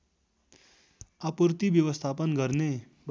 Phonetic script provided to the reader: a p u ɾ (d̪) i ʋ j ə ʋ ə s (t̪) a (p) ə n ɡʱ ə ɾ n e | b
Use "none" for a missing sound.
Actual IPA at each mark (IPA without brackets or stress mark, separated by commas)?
t̪, t̪ʰ, p